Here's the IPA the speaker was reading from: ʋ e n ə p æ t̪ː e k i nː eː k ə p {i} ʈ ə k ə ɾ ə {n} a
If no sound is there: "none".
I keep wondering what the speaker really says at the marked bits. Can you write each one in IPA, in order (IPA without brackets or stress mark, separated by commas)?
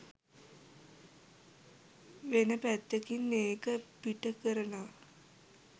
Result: i, n